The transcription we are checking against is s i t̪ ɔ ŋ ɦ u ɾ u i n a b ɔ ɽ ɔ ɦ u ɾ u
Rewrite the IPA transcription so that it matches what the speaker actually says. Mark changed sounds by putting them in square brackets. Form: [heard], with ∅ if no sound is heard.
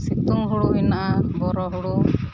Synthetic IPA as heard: s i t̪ [u] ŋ ɦ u [ɽ] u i n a b ɔ [ɾ] ɔ ɦ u [ɽ] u